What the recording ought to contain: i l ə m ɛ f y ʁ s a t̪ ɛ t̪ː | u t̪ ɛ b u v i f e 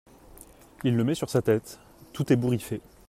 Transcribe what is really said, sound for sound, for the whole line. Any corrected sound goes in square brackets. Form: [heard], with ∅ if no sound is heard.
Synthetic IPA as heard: i [lː] ə m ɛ [s] y ʁ s a t̪ ɛ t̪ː | u t̪ ɛ b u [ʁ] i f e